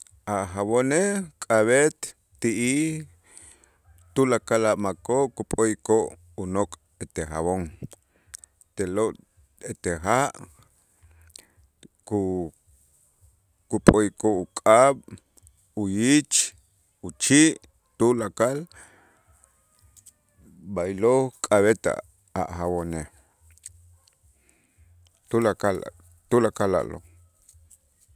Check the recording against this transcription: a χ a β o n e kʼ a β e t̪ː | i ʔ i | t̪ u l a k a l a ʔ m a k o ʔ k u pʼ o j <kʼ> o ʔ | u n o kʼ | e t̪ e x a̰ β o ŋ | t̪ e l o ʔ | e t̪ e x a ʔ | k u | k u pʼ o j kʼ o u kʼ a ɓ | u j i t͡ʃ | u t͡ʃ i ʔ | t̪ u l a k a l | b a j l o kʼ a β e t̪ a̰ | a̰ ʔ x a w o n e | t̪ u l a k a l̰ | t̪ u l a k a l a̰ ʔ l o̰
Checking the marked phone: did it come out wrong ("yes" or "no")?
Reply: yes